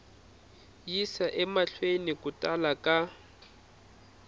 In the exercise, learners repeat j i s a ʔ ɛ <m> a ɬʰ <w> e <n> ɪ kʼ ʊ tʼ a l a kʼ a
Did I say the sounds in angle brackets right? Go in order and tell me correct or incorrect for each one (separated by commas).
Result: correct, correct, correct